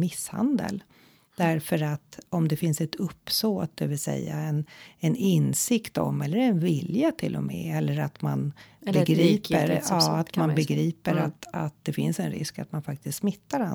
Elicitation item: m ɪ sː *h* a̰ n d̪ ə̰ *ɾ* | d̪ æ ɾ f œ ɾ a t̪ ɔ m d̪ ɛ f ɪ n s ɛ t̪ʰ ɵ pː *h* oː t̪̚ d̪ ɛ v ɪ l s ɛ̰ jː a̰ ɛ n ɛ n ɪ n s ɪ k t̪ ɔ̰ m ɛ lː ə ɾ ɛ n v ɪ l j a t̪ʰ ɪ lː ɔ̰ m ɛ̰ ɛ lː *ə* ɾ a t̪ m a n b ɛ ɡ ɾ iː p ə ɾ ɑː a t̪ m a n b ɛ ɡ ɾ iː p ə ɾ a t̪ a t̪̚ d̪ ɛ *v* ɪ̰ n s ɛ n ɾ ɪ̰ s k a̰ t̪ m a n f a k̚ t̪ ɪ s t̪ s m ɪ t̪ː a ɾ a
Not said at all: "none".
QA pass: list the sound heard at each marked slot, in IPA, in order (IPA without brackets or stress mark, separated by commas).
h, l, s, ə, f